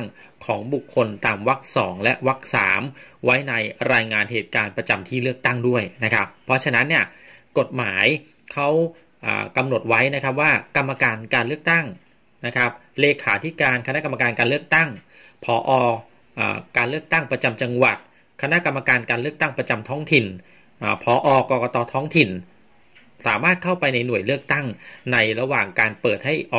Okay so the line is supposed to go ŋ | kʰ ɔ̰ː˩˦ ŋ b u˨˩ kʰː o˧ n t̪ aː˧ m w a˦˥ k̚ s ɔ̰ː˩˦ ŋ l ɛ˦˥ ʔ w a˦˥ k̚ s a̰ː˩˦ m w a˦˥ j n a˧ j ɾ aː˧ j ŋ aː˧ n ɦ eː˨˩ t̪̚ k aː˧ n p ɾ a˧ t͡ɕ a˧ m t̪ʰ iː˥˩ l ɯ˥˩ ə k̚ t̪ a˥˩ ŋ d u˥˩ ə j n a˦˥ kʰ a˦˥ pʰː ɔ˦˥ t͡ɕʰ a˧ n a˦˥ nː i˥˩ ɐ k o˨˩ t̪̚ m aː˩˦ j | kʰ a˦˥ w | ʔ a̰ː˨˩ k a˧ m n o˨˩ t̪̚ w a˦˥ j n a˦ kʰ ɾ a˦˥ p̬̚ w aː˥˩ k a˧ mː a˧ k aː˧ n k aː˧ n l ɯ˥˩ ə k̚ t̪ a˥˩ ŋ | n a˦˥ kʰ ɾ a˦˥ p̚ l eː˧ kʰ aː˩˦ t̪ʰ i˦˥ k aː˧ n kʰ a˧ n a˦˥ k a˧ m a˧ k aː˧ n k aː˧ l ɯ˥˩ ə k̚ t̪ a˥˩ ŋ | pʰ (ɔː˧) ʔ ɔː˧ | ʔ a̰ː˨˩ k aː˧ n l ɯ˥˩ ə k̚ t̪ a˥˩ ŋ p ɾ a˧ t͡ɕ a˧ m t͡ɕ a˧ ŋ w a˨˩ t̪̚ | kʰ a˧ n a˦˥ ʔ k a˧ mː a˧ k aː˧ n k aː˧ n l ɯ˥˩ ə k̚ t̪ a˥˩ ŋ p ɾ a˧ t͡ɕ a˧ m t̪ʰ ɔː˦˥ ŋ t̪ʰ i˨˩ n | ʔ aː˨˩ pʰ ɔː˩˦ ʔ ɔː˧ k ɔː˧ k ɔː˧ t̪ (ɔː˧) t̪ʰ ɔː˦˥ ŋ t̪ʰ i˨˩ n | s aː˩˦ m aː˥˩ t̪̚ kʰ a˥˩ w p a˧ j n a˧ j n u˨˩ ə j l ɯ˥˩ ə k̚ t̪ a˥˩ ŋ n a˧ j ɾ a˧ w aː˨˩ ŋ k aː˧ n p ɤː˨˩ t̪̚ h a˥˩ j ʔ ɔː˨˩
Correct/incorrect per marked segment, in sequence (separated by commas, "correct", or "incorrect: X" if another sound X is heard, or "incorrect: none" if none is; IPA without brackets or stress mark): incorrect: ɔː˩˦, correct